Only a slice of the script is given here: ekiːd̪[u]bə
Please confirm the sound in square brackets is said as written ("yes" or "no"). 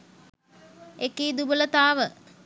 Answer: yes